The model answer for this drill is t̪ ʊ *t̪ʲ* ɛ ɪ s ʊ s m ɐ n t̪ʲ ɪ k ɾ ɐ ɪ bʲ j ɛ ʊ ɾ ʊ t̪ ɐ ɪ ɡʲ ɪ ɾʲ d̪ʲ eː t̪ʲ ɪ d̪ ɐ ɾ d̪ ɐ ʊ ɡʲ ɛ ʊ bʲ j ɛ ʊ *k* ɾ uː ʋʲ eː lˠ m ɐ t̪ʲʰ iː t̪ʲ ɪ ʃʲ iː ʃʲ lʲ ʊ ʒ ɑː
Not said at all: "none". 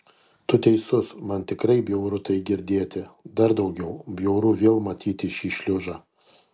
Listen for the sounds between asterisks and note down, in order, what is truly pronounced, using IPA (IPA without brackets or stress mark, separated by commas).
t̪ʲ, none